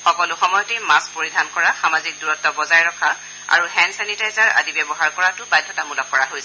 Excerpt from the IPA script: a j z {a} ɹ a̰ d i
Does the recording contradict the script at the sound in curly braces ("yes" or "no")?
no